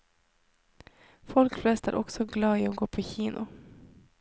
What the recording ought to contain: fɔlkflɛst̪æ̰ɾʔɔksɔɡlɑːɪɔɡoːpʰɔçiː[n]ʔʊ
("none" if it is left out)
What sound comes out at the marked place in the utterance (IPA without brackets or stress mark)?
n